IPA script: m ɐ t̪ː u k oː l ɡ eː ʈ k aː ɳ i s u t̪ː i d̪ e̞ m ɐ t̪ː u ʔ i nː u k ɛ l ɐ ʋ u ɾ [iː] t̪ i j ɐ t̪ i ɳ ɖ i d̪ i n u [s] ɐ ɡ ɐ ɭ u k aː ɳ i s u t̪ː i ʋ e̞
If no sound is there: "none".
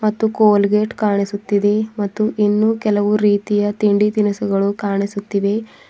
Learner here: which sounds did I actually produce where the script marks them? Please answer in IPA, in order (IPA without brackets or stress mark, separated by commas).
iː, s